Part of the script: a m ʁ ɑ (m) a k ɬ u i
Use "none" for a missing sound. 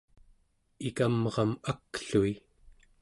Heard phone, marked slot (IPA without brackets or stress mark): m